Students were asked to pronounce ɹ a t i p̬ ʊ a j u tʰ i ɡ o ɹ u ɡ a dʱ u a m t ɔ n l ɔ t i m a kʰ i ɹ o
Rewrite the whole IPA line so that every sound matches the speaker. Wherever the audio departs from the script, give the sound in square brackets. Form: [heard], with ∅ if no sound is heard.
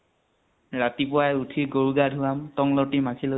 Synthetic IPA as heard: ɹ a t i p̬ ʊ a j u tʰ i ɡ o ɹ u ɡ a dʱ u a m t ɔ [ŋ] l ɔ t i m a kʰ i [l] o